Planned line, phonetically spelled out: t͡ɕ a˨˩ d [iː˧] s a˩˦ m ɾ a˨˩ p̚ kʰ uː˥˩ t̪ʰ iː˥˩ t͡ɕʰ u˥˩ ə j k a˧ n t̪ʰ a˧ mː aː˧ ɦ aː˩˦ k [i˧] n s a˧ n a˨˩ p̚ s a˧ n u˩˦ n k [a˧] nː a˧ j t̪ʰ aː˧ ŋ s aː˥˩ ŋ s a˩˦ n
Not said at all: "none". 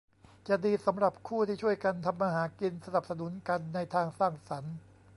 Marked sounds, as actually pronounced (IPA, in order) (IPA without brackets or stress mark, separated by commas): iː˧, i˧, a˧